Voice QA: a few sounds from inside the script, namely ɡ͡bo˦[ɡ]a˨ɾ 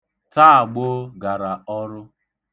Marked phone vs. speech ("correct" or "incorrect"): correct